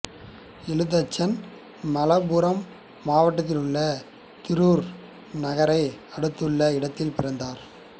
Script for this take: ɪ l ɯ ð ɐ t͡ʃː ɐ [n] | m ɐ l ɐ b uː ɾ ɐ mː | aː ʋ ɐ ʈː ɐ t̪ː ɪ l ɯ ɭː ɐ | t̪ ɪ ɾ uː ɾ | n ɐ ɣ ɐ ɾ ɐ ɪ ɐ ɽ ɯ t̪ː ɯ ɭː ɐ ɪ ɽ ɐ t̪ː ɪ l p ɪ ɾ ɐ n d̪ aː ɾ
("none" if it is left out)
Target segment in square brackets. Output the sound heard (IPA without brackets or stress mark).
n